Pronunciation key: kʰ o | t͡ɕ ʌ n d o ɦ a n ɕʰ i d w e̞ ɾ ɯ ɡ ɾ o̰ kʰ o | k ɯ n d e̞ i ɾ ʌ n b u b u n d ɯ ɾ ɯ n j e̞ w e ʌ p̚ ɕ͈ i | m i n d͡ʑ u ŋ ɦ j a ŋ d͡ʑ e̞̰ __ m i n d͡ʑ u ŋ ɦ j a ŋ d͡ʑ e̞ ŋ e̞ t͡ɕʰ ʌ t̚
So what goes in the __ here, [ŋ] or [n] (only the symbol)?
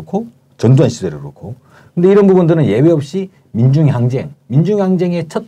ŋ